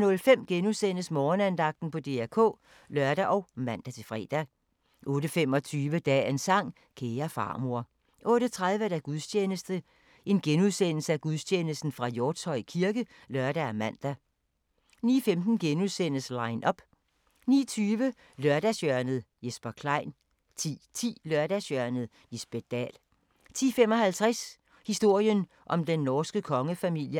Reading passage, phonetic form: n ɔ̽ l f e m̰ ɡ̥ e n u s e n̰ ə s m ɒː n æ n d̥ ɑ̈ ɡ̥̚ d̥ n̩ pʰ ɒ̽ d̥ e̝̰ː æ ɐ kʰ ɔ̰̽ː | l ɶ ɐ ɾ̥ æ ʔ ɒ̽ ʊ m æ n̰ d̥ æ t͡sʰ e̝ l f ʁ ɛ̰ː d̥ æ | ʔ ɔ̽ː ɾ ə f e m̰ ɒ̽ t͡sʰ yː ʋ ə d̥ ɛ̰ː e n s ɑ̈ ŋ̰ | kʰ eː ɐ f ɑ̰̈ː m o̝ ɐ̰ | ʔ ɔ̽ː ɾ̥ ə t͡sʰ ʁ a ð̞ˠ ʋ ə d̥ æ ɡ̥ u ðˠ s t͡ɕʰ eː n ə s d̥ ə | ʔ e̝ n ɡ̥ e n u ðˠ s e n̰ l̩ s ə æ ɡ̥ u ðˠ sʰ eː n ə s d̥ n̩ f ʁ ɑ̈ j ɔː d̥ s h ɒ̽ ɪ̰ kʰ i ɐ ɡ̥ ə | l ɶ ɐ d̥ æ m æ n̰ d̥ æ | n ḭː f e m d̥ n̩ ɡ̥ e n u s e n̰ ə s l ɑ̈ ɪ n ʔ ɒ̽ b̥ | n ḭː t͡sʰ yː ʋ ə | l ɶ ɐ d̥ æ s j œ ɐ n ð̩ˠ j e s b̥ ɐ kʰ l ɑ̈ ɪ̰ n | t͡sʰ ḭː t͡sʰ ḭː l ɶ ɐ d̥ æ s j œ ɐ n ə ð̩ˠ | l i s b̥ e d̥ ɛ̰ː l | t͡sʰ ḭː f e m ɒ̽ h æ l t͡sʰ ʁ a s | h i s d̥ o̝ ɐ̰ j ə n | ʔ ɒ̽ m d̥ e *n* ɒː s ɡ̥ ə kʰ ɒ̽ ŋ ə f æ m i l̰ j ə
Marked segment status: incorrect: nː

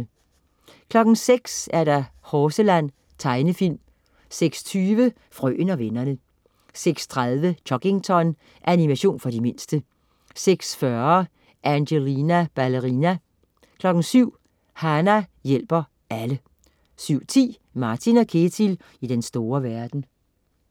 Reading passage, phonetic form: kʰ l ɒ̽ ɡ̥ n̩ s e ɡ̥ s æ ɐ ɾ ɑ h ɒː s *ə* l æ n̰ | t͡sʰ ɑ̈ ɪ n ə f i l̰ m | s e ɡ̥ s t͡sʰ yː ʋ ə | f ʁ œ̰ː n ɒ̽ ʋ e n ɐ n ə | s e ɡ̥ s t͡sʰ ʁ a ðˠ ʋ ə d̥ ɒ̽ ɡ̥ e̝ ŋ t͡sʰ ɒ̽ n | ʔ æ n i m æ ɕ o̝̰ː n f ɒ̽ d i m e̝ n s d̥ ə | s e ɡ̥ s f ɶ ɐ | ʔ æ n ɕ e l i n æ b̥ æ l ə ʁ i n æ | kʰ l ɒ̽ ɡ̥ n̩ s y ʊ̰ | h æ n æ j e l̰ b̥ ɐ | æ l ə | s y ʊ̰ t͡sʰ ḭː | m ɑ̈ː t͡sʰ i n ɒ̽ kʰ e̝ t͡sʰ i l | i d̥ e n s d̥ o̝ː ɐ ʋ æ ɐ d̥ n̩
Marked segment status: correct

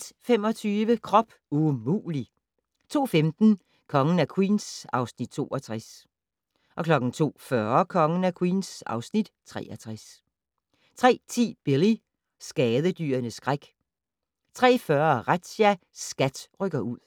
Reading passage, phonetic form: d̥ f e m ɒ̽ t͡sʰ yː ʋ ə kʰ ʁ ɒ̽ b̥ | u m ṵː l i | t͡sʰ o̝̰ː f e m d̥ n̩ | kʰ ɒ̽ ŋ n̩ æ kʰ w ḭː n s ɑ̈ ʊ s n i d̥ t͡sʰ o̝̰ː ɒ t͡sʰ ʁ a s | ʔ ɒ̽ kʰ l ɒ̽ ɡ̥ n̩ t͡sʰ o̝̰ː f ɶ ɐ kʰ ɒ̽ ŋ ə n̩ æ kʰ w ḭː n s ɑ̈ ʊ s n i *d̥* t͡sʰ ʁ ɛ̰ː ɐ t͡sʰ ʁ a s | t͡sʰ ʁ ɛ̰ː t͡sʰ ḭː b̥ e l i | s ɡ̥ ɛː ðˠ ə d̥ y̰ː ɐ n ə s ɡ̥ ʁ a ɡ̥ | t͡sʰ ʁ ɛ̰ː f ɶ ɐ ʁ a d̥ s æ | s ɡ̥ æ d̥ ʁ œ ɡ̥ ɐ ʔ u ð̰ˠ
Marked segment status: correct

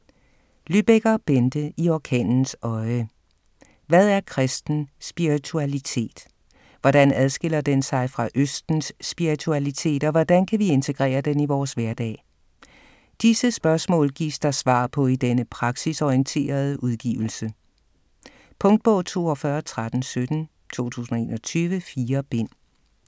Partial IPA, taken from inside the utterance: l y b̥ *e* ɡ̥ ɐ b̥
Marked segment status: correct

